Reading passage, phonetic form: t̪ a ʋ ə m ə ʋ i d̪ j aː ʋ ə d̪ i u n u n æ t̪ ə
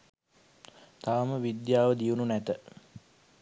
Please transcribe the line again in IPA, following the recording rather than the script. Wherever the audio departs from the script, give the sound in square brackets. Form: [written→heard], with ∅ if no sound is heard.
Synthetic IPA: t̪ a ʋ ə m ə ʋ i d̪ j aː ʋ ə d̪ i u n u n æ t̪ ə